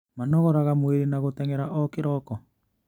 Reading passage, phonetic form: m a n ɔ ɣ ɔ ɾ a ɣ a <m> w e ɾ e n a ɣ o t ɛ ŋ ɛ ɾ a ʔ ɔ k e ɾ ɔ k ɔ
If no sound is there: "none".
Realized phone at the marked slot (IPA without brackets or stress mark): m